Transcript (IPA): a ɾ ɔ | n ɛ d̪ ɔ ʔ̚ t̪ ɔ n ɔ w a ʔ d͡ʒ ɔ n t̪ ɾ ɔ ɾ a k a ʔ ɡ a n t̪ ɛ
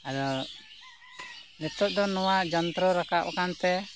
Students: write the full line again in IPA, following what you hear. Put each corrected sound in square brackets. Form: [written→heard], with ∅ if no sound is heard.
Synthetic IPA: a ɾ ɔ | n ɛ [d̪→t̪] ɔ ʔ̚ [t̪→d̪] ɔ n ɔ w a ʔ d͡ʒ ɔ n t̪ ɾ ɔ ɾ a k a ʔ [ɡ→k] a n t̪ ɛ